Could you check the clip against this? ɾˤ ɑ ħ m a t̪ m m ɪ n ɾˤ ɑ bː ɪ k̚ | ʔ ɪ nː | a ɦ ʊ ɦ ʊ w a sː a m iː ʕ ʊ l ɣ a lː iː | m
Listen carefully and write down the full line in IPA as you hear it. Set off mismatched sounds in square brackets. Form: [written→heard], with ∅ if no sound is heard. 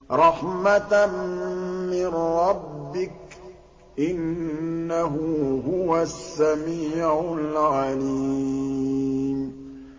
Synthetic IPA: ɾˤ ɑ ħ m a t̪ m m ɪ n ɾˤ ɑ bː ɪ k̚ | ʔ ɪ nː | a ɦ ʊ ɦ ʊ w a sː a m iː ʕ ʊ l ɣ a [lː→l] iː | m